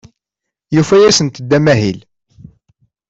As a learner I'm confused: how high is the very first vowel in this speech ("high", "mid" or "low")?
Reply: high